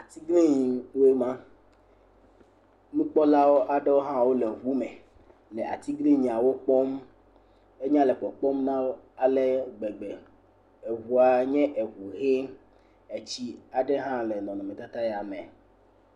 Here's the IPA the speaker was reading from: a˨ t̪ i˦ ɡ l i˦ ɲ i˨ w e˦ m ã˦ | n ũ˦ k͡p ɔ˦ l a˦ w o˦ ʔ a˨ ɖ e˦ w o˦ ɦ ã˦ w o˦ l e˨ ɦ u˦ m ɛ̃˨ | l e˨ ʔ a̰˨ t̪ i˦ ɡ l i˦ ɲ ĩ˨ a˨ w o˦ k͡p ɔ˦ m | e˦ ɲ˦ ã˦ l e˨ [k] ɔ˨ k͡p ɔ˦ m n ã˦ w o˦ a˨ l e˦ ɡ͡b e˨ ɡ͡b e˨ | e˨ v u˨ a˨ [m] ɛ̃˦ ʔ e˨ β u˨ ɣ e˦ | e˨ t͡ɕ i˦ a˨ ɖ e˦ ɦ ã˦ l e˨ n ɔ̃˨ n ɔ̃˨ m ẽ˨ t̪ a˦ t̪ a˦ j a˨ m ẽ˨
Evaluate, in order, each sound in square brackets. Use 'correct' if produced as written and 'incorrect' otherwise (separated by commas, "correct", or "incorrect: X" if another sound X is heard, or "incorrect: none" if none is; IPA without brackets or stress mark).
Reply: incorrect: k͡p, incorrect: ɲ